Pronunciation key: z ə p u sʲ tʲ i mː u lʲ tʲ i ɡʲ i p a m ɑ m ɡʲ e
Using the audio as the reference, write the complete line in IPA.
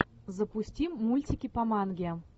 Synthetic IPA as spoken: z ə p u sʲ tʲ i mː u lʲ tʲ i kʲ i p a m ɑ n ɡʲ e